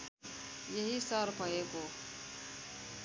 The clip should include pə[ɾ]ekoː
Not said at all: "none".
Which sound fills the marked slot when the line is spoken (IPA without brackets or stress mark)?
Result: none